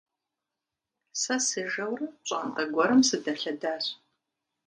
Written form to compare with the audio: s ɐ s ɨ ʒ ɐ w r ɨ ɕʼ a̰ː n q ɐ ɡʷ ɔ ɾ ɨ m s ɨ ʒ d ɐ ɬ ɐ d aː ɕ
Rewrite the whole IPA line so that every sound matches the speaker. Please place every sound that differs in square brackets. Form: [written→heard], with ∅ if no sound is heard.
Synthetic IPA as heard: s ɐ s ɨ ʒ ɐ w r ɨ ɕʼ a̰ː n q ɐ ɡʷ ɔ ɾ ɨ m s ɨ [ʒ→∅] d ɐ ɬ ɐ d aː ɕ